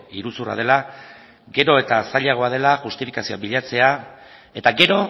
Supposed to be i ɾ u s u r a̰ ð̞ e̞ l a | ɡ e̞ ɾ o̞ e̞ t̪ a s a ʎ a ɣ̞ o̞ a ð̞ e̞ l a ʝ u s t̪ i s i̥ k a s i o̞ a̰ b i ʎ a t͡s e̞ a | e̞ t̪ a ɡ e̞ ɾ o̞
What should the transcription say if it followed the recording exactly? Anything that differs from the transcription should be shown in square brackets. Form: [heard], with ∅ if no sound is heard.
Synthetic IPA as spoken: i ɾ u s u r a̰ ð̞ e̞ l a | ɡ e̞ ɾ o̞ e̞ t̪ a s a ʎ a ɣ̞ o̞ a ð̞ e̞ l a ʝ u s t̪ i [f] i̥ k a s i o̞ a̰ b i ʎ a t͡s e̞ a | e̞ t̪ a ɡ e̞ ɾ o̞